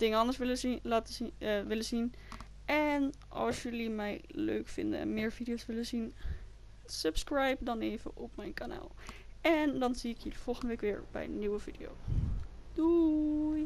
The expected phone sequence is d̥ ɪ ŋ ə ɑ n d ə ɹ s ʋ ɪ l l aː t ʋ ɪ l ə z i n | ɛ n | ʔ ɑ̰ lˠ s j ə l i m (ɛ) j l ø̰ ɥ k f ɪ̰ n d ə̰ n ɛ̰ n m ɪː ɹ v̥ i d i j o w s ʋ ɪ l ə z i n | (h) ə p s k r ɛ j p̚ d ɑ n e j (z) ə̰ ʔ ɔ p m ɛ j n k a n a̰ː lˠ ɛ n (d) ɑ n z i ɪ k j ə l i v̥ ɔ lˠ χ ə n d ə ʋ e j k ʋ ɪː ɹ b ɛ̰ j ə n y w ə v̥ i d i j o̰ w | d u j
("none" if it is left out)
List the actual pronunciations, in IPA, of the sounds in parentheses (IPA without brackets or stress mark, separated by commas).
ɛ, s, v, d